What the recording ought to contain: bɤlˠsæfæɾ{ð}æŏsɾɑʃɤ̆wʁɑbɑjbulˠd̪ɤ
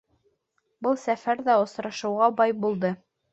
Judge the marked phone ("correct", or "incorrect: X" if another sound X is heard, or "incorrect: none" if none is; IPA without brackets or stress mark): correct